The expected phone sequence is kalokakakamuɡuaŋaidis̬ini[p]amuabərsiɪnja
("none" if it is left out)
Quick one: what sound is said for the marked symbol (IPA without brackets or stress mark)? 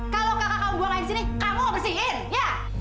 k